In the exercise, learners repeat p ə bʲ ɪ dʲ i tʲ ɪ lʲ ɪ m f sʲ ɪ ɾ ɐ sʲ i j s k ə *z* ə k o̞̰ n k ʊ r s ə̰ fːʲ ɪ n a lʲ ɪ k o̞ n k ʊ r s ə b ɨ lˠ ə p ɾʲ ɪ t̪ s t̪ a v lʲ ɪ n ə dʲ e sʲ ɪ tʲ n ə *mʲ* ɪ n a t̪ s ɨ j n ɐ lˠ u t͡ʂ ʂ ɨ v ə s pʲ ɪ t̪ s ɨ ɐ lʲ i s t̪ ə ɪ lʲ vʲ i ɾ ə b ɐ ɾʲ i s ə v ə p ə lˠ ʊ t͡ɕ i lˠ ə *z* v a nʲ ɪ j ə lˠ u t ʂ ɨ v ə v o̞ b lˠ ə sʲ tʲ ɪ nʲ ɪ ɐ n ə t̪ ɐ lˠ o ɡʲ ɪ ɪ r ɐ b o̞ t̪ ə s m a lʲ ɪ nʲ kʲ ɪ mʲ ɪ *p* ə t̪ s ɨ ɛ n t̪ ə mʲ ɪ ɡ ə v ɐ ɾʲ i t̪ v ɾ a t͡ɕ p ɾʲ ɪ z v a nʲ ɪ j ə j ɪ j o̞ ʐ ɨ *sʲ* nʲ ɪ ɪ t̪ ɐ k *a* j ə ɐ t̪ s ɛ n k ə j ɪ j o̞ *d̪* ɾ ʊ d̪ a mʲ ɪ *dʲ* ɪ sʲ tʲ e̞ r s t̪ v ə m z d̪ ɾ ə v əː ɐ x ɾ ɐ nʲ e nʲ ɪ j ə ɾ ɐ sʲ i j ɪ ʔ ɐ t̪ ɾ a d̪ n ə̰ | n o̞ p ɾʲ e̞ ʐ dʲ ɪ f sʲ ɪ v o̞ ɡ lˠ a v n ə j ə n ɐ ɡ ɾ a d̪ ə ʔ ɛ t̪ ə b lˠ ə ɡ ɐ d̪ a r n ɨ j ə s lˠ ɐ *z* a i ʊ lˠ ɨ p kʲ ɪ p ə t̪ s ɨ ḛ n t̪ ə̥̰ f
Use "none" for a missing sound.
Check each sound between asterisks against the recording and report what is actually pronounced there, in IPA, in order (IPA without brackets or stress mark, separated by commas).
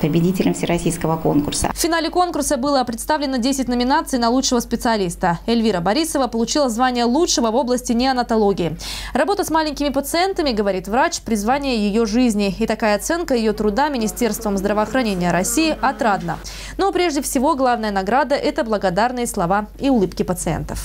v, mʲ, z, p, zʲ, a, t̪, nʲ, v